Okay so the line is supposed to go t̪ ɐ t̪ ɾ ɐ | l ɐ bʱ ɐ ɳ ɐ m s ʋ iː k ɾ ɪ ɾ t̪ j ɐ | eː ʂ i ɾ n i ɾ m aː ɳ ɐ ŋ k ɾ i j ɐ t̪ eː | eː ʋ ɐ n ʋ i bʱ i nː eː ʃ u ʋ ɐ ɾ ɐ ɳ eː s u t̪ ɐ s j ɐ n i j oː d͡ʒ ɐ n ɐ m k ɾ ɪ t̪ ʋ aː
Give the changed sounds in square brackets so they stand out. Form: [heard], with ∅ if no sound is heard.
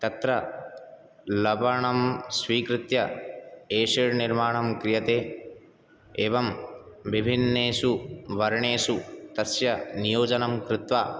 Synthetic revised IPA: t̪ ɐ t̪ ɾ ɐ | l ɐ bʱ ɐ ɳ ɐ m s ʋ iː k ɾ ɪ [∅] t̪ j ɐ | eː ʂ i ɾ n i ɾ m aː ɳ ɐ [m] k ɾ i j ɐ t̪ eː | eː ʋ ɐ [m] ʋ i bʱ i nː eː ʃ u ʋ ɐ ɾ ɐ ɳ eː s u t̪ ɐ s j ɐ n i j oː d͡ʒ ɐ n ɐ m k ɾ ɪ t̪ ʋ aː